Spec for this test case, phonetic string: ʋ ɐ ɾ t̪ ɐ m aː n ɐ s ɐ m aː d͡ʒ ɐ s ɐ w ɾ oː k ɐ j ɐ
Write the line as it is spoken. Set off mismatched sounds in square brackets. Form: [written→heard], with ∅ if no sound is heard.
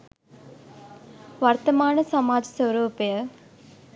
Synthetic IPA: ʋ ɐ ɾ t̪ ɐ m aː n ɐ s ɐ m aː d͡ʒ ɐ s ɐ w ɾ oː [k→p] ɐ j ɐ

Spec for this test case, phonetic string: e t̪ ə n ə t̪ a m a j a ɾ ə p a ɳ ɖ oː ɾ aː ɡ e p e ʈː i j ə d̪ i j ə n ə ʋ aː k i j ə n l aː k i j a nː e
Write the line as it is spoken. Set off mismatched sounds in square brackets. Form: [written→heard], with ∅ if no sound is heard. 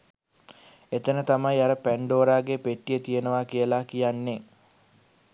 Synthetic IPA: e t̪ ə n ə t̪ a m a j a ɾ ə p [a→æ] ɳ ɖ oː ɾ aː ɡ e p e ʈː i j ə [d̪→t̪] i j ə n ə ʋ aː k i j ə [n→∅] l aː k i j a nː e

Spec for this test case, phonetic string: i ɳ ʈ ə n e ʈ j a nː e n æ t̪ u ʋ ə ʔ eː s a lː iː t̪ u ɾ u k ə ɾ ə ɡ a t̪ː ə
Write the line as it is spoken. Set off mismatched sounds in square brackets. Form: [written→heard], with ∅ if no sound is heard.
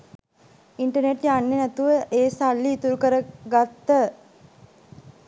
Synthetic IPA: i ɳ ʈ ə n e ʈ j a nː e n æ t̪ u ʋ ə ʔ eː s a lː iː t̪ u ɾ u k ə ɾ ə ɡ a t̪ː ə

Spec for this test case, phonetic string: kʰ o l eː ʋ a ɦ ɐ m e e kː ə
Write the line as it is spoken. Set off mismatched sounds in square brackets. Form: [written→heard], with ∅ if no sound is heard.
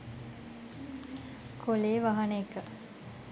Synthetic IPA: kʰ o l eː ʋ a ɦ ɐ [m→n] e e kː ə

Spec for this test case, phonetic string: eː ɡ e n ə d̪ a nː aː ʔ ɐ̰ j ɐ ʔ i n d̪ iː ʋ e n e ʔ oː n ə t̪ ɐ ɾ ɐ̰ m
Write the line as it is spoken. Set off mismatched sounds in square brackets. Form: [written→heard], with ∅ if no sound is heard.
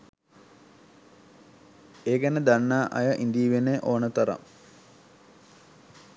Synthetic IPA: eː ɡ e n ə d̪ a nː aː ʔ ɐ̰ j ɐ ʔ i n d̪ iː ʋ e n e ʔ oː n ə t̪ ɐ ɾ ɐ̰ m

